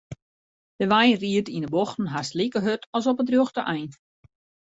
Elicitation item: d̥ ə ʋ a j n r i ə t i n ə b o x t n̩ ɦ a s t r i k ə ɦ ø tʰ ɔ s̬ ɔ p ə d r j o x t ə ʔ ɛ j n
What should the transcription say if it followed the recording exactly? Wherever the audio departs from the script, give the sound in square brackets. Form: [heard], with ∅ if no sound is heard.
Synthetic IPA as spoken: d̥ ə ʋ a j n r i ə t i n ə b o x t n̩ ɦ a s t [l] i k ə ɦ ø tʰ ɔ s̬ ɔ p ə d r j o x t ə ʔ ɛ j n